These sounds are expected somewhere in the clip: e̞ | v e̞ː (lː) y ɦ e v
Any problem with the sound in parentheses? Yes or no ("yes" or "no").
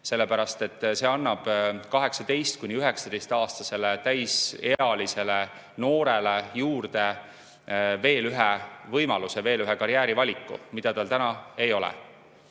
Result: yes